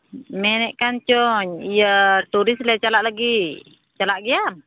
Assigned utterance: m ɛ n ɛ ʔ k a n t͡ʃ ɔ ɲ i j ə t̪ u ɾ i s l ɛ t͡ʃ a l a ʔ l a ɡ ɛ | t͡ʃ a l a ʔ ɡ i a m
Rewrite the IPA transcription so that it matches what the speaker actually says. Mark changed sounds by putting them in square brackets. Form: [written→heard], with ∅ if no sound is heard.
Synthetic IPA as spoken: m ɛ n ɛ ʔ k a n t͡ʃ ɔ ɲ i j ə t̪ u ɾ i s l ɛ t͡ʃ a l a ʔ l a ɡ [ɛ→i] | t͡ʃ a l a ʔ ɡ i a m